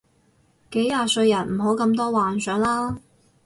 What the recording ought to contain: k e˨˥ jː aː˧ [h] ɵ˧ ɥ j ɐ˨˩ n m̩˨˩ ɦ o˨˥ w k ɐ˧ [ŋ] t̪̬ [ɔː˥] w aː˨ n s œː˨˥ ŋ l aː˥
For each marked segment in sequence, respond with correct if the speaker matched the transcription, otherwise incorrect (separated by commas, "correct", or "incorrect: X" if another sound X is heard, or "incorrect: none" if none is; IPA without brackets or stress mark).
incorrect: s, incorrect: m, correct